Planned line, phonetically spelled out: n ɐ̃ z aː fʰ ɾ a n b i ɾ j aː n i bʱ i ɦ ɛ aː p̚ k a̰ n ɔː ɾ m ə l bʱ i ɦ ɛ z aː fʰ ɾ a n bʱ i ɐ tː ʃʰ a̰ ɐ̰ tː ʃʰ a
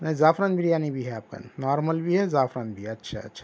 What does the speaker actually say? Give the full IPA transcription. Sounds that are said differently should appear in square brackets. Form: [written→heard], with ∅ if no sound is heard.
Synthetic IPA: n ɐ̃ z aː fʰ ɾ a n b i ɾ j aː n i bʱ i ɦ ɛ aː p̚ k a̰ n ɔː ɾ m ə l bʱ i ɦ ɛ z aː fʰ ɾ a n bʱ i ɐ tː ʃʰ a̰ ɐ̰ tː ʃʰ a

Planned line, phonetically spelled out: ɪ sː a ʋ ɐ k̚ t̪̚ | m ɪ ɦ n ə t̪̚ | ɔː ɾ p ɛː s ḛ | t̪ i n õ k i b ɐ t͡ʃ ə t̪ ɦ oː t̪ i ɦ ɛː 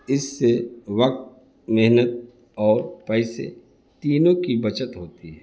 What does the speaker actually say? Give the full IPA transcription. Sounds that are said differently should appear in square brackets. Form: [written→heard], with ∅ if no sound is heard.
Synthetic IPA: ɪ sː [a→e] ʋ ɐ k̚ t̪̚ | m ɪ ɦ n ə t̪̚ | ɔː ɾ p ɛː s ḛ | t̪ [i→iː] n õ k i b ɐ t͡ʃ ə t̪ ɦ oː t̪ i ɦ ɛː

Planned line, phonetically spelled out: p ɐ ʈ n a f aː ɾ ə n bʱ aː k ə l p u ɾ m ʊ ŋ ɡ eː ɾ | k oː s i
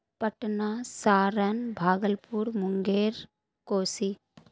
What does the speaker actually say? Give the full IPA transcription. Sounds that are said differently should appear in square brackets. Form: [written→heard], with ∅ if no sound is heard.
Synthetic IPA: p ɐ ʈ n a [f→s] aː ɾ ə n bʱ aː [k→ɡ] ə l p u ɾ m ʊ ŋ ɡ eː ɾ | k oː s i

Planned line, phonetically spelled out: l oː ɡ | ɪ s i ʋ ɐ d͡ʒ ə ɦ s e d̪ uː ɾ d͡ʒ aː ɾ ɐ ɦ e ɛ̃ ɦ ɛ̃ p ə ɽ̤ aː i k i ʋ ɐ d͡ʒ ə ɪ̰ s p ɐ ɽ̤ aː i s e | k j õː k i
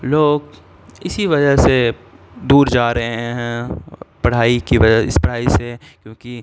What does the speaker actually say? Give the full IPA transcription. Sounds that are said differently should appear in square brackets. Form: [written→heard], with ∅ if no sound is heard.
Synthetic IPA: l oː ɡ | ɪ s i ʋ ɐ d͡ʒ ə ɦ s e d̪ uː ɾ d͡ʒ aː ɾ ɐ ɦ e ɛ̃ ɦ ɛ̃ p [ə→ɐ] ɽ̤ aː i k i ʋ ɐ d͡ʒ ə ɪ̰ s p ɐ ɽ̤ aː i s e | k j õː k i

